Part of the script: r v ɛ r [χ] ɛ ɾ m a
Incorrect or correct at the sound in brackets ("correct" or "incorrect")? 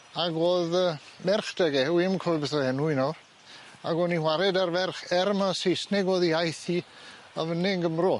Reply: correct